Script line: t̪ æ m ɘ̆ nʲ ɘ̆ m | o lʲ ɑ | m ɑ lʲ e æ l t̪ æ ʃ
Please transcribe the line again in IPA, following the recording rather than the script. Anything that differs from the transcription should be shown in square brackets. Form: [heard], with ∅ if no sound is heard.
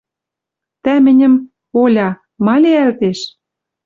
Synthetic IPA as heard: t̪ æ m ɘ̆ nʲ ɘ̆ m | o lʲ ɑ | m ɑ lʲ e æ l t̪ [e] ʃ